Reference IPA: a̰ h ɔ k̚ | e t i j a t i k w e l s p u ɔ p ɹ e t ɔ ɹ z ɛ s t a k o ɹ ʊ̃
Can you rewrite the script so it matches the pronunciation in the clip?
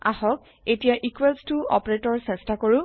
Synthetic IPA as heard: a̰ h ɔ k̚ | e t i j a ʔ i k w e l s t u ɔ p ɹ e t ɔ ɹ s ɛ s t a k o ɹ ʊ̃